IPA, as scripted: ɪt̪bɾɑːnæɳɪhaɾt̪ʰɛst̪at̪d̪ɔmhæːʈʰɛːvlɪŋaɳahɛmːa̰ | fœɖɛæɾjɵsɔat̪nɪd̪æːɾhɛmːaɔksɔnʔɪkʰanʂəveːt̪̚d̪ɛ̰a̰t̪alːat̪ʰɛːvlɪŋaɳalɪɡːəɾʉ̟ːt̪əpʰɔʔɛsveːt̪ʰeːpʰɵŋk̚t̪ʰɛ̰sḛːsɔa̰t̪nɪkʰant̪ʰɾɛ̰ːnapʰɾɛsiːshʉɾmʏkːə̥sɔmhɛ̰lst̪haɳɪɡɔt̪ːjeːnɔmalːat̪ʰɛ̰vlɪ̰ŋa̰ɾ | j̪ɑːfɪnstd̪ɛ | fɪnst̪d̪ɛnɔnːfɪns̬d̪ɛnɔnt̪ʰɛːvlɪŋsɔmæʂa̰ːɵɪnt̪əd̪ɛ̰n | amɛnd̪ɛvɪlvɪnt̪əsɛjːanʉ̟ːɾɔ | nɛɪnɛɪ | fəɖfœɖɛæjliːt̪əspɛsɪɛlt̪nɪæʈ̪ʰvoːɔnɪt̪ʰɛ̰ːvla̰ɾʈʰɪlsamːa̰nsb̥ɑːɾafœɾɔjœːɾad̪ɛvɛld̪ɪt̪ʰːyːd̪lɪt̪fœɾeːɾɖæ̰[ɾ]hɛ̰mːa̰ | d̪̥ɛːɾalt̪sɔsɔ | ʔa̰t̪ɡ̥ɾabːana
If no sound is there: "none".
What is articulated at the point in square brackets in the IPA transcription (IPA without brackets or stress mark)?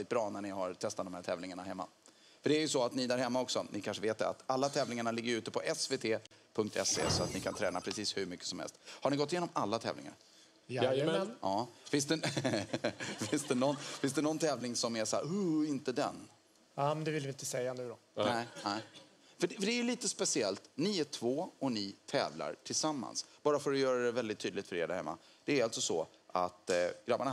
ɾ